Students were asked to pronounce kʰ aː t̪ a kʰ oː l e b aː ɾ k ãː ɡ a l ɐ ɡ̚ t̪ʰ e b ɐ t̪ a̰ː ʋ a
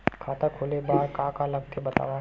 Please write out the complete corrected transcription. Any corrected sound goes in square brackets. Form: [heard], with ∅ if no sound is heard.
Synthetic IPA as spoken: kʰ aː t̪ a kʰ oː l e b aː ɾ k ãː [k] a l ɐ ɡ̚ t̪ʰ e b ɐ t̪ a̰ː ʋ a